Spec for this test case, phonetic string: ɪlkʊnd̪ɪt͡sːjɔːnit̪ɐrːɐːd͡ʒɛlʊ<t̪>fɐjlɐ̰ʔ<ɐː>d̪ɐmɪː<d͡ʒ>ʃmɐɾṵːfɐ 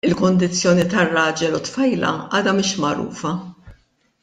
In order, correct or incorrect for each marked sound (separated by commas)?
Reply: correct, correct, incorrect